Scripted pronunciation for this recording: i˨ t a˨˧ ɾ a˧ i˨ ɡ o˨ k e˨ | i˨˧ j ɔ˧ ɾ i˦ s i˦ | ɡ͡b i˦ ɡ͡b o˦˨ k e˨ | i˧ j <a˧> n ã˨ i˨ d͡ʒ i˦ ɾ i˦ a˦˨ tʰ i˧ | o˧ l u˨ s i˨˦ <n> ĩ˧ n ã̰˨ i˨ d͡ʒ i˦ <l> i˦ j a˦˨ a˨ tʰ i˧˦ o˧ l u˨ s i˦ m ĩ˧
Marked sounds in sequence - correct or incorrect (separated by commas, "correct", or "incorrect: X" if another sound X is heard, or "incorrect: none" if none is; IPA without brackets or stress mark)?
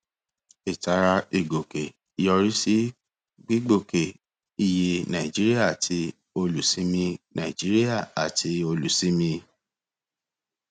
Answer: incorrect: e˧, incorrect: m, incorrect: ɾ